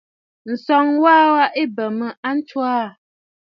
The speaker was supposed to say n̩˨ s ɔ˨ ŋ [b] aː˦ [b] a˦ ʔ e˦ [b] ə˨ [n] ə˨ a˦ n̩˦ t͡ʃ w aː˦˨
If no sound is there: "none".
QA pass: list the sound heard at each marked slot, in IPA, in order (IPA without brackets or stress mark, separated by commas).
w, w, b, m